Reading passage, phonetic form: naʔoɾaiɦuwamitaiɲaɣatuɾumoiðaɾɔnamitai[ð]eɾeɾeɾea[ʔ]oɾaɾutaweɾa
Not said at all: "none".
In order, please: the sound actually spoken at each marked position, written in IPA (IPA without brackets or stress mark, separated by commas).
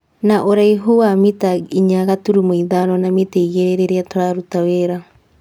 ɣ, t